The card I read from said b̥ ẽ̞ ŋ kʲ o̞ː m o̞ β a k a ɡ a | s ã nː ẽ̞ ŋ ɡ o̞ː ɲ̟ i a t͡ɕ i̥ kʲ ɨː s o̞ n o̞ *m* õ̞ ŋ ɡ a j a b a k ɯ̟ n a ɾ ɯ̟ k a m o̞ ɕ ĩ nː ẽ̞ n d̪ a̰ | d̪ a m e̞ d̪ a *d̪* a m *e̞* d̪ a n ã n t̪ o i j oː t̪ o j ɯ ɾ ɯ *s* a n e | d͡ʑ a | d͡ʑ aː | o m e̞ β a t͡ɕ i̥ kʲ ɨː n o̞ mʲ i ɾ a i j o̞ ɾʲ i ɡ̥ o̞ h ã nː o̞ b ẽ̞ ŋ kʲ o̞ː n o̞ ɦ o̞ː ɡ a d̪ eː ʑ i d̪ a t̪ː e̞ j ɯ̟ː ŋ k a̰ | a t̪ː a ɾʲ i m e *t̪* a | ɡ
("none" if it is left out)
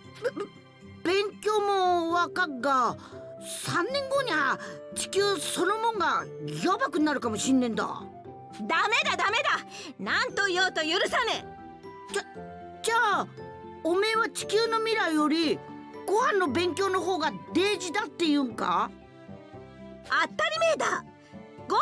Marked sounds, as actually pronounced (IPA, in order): m, d̪, e̞, s, d̪

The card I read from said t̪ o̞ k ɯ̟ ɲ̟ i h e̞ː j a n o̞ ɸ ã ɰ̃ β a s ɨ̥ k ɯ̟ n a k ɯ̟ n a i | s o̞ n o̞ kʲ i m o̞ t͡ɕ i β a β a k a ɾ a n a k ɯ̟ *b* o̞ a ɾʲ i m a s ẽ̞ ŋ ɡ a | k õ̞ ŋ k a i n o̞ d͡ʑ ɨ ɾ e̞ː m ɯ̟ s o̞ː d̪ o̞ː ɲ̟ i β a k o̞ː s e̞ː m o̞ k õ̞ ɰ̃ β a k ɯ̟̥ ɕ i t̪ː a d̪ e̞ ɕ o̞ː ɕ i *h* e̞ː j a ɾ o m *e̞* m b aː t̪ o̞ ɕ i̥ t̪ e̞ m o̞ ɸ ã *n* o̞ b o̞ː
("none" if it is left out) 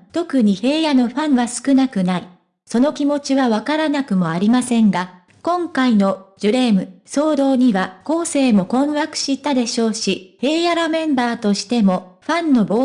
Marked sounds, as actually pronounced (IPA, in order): m, h, ẽ̞, nː

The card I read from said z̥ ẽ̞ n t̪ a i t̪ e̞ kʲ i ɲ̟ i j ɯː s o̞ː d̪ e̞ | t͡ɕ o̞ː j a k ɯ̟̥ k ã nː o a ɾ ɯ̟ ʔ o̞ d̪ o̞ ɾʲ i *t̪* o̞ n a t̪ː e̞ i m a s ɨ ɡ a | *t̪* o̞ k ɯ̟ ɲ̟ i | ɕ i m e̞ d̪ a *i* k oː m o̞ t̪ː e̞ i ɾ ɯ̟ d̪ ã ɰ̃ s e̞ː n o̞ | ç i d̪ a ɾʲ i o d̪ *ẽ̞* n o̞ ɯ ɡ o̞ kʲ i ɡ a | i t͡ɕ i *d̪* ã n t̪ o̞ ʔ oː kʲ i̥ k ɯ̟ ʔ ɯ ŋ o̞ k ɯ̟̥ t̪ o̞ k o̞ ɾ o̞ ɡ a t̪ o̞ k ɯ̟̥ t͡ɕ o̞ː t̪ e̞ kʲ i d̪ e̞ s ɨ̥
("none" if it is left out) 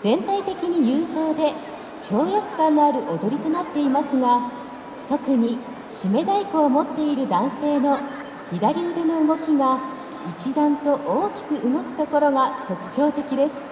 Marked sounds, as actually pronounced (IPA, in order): t̪, t̪, i, e̞, d̪

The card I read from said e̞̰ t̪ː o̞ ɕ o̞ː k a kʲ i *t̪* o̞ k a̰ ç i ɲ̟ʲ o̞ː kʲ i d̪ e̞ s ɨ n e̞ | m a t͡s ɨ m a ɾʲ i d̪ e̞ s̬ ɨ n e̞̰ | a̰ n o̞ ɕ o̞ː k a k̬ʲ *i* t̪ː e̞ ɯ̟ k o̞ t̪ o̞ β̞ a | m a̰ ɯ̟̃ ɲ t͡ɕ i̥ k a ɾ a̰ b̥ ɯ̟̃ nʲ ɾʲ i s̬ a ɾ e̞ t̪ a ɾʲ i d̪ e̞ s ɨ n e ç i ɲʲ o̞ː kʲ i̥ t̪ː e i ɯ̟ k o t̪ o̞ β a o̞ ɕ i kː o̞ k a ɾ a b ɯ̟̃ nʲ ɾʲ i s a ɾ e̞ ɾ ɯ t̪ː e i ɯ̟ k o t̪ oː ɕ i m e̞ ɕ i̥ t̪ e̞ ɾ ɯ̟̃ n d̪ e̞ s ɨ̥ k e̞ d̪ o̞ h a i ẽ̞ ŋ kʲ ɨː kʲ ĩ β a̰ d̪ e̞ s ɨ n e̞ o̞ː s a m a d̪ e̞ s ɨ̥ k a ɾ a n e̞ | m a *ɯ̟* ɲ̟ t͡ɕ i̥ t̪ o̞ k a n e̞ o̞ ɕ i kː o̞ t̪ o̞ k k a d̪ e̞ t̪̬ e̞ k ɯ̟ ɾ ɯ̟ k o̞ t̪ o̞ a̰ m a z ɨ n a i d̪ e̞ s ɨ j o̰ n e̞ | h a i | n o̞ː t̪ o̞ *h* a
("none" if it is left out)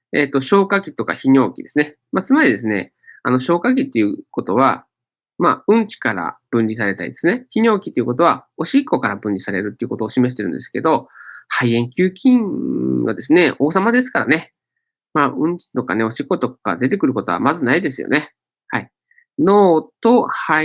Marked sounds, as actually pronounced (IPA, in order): t̪, i, ɯ̟̃, h

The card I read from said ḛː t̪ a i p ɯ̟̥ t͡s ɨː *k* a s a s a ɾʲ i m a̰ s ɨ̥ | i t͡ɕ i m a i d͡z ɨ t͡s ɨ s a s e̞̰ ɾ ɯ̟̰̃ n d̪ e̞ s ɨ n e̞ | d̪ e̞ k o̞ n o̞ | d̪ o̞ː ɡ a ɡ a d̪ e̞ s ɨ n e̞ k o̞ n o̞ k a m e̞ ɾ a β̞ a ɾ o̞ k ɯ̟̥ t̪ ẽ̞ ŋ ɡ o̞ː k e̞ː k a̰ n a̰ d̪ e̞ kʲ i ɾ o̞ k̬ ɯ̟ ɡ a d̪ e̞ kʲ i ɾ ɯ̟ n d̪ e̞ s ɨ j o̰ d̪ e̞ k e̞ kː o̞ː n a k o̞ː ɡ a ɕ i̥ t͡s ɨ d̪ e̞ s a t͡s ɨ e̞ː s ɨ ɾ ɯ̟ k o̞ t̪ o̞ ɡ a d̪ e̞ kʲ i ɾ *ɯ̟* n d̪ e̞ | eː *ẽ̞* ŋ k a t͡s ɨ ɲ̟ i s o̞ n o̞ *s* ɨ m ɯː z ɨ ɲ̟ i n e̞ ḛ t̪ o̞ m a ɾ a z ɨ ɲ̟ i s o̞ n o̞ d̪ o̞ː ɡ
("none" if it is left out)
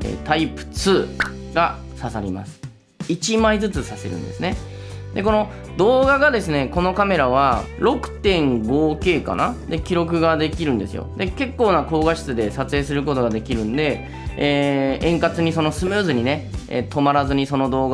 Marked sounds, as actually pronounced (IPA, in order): ɡ, ɯ̟̃, ẽ̞, s

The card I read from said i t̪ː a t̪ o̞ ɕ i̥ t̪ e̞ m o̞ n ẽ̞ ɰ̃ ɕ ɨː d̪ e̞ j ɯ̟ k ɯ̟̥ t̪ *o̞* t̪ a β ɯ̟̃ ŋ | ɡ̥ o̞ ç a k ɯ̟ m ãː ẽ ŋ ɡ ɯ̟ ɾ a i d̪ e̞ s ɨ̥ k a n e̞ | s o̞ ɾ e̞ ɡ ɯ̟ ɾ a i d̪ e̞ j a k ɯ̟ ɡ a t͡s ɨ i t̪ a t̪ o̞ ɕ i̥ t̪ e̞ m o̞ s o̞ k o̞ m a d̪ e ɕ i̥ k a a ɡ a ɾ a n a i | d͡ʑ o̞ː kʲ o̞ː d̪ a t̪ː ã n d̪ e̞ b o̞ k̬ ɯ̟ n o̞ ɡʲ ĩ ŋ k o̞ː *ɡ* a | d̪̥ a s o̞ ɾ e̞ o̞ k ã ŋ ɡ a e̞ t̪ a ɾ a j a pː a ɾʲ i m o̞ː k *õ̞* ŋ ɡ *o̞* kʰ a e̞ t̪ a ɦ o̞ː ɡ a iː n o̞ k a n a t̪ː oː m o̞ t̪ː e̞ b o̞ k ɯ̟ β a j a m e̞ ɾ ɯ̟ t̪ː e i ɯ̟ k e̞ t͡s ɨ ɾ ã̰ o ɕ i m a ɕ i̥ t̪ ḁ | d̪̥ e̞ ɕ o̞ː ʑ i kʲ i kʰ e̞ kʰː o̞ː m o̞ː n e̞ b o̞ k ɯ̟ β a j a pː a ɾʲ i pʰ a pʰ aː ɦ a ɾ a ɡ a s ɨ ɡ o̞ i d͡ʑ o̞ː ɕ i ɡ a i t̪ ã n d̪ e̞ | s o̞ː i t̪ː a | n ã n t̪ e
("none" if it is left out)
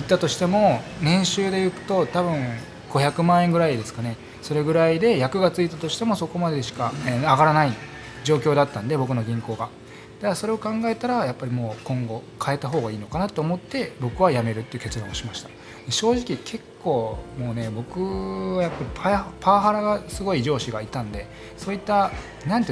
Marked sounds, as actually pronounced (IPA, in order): o̞, ɡ, õ̞, o̞

